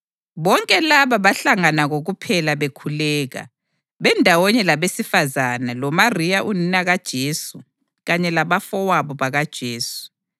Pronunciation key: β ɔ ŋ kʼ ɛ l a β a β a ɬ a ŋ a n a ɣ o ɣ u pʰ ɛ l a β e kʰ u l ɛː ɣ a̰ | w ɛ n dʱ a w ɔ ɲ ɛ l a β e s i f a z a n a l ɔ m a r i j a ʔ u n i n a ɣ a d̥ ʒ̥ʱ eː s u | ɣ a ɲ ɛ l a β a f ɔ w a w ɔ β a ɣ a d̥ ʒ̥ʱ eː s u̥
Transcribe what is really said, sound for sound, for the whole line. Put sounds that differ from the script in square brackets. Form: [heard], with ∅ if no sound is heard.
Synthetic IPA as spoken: β ɔ ŋ kʼ ɛ l a β a β a ɬ a ŋ a n a ɣ o ɣ u pʰ ɛ l a β e kʰ u l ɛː ɣ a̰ | [β] ɛ n dʱ a w ɔ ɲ ɛ l a β e s i f a z a n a l ɔ m a r i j a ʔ u n i n a ɣ a d̥ ʒ̥ʱ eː s u | ɣ a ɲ ɛ l a β a f ɔ w a [β] ɔ β a ɣ a d̥ ʒ̥ʱ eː s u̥